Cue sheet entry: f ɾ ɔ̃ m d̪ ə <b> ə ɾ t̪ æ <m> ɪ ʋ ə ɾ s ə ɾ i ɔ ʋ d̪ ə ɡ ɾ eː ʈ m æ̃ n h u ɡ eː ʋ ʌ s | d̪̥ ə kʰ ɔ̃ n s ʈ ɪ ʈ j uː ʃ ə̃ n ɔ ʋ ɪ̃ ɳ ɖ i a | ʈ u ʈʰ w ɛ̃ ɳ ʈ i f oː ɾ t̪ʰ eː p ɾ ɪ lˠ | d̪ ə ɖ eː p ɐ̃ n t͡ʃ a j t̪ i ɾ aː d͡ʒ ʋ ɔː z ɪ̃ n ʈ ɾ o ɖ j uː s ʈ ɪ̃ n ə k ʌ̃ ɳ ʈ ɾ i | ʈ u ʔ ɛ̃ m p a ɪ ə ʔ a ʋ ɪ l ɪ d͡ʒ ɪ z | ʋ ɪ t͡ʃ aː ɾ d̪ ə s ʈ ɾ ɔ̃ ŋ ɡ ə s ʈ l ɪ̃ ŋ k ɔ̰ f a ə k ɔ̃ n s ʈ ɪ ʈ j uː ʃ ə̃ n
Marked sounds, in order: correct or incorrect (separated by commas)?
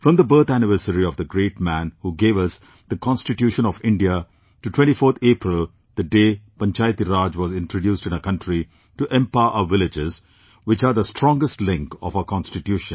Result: correct, incorrect